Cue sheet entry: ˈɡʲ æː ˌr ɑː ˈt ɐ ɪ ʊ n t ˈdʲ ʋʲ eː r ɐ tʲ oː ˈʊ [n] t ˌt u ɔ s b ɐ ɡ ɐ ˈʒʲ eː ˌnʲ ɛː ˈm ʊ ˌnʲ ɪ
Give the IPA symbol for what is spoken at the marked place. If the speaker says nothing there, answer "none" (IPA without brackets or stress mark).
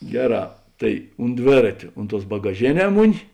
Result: n